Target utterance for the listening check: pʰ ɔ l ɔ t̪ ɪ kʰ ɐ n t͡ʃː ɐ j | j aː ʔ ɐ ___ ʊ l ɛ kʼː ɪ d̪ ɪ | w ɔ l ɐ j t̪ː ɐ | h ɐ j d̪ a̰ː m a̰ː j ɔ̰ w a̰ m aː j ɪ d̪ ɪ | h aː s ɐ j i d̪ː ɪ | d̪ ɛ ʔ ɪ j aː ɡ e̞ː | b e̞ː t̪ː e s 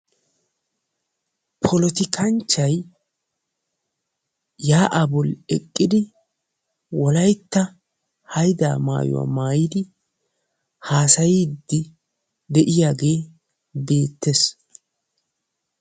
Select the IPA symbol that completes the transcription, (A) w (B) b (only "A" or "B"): B